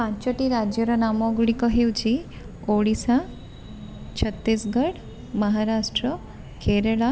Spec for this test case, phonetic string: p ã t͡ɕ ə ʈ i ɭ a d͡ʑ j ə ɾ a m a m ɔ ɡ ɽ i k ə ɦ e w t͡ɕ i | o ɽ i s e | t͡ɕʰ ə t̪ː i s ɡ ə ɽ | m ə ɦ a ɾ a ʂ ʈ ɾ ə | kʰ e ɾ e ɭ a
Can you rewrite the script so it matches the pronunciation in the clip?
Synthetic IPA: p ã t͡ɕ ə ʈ i ɾ a d͡ʑ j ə ɾ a n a m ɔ ɡ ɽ i k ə ɦ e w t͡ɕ i | o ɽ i s a | t͡ɕʰ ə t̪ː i s ɡ ə ɽ | m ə ɦ a ɾ a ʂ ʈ ɾ ə | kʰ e ɾ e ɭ a

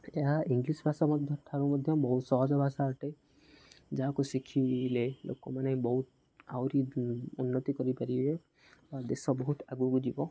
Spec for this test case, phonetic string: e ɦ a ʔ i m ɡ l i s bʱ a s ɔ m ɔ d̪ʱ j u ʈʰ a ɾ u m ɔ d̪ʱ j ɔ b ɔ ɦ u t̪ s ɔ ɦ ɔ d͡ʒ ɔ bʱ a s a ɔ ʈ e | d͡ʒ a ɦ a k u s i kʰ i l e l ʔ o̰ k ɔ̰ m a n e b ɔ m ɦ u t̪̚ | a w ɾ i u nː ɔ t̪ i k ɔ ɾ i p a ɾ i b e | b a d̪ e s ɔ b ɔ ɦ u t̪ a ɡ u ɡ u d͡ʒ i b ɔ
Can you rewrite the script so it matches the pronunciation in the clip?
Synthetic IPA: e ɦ a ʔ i ŋ ɡ l i s bʱ a s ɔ m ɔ d̪ʱ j ɔ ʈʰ a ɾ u m ɔ d̪ʱ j ɔ b ɔ ɦ u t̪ s ɔ ɦ ɔ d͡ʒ ɔ bʱ a s a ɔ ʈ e | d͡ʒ a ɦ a k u s i kʰ i l e l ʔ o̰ k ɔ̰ m a n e b ɔ ɦ u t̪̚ | a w ɾ i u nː ɔ t̪ i k ɔ ɾ i p a ɾ i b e | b a d̪ e s ɔ b ɔ ɦ u t̪ a ɡ u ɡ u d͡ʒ i b ɔ

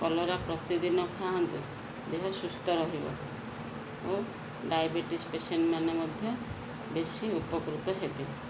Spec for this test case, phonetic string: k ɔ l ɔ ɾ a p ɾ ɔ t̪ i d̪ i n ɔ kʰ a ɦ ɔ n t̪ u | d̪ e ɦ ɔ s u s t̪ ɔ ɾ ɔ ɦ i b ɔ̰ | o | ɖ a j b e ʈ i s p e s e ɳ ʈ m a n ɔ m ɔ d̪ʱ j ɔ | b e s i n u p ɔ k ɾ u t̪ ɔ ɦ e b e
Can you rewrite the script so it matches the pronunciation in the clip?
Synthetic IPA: k ɔ l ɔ ɾ a p ɾ ɔ t̪ i d̪ i n ɔ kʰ a ɦ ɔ n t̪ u | d̪ e ɦ ɔ s u s t̪ ɔ ɾ ɔ ɦ i b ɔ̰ | o | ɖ a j b e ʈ i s p e s e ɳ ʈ m a n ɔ m ɔ d̪ʱ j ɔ | b e s i u p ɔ k ɾ u t̪ ɔ ɦ e b e

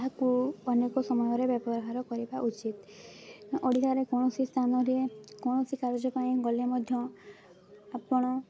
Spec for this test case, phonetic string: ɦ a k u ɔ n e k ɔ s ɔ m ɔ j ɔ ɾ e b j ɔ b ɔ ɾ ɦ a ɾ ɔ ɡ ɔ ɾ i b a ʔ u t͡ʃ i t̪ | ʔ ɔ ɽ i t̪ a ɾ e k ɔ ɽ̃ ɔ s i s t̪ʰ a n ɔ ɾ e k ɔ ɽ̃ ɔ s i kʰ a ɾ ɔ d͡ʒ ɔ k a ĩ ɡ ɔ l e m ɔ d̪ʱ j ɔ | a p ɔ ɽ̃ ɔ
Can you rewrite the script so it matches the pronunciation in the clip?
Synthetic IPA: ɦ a k u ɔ n e k ɔ s ɔ m ɔ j ɔ ɾ e b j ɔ b ɔ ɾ ɦ a ɾ ɔ k ɔ ɾ i b a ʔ u t͡ʃ i t̪ | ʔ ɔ ɽ i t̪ a ɾ e k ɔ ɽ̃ ɔ s i s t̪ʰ a n ɔ ɾ e k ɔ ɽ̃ ɔ s i k a ɾ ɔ d͡ʒ ɔ p a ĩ ɡ ɔ l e m ɔ d̪ʱ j ɔ | a p ɔ ɽ̃ ɔ

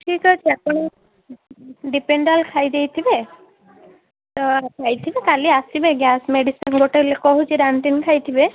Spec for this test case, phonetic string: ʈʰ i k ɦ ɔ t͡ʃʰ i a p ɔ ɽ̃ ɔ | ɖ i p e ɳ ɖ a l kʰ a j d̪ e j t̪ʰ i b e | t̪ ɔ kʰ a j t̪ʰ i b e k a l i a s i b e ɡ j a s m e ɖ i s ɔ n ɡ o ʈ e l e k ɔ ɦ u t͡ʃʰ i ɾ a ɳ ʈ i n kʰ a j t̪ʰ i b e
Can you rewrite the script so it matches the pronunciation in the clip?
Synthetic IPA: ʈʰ i k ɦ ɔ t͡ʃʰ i a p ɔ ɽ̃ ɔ | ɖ i p e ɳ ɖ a l kʰ a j d̪ e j t̪ʰ i b e | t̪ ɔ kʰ a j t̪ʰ i b e k a l i a s i b e ɡ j a s m e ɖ i s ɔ n ɡ o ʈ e l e k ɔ ɦ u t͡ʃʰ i ɾ a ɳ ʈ i n kʰ a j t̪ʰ i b e

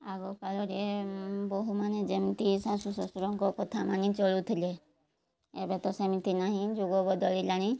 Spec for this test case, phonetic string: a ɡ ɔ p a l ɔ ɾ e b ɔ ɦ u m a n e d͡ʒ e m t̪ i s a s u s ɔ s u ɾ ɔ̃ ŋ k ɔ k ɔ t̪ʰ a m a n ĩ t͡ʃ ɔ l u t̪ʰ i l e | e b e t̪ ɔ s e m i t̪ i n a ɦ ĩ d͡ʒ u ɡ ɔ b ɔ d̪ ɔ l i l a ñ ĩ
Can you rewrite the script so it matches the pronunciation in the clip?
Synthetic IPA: a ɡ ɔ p a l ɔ ɾ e b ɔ ɦ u m a n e d͡ʒ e m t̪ i s a s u s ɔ s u ɾ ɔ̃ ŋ k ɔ k ɔ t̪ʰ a m a n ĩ t͡ʃ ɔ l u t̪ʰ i l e | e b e t̪ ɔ s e m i t̪ i n a ɦ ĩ d͡ʒ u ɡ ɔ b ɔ d̪ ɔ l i l a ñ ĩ

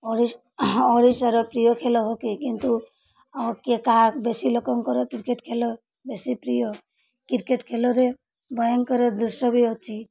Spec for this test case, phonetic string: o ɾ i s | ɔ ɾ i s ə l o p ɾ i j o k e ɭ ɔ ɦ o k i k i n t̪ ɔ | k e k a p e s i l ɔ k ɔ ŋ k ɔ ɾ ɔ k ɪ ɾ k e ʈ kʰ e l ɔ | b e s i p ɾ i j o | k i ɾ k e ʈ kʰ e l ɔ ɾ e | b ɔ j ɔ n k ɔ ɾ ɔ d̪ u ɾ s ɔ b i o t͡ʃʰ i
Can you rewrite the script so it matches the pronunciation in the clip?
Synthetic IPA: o ɾ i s | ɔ ɾ i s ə ɾ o p ɾ i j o kʰ e l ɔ ɦ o k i k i n t̪ u | k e k a b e s i l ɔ k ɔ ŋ k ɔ ɾ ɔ k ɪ ɾ k e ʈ kʰ e l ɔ | b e s i p ɾ i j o | k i ɾ k e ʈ kʰ e l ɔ ɾ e | b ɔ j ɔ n k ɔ ɾ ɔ d̪ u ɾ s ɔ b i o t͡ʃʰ i

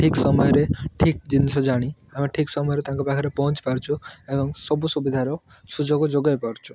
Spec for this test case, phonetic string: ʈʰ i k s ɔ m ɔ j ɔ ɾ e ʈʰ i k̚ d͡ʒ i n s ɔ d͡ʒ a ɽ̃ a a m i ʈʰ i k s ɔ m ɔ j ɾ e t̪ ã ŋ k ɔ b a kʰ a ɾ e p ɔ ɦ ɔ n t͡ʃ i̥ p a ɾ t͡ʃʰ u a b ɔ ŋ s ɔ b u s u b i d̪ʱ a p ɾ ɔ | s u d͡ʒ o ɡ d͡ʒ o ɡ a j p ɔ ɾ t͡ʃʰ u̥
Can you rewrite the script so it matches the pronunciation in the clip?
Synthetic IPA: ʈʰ i k s ɔ m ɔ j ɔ ɾ e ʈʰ i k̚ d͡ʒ i n s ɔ d͡ʒ a ɽ̃ i a m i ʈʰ i k s ɔ m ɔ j ɾ e t̪ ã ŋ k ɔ b a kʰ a ɾ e p ɔ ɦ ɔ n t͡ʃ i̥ p a ɾ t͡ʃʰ u e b ɔ ŋ s ɔ b u s u b i d̪ʱ a ɾ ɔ | s u d͡ʒ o ɡ d͡ʒ o ɡ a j p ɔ ɾ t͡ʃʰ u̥

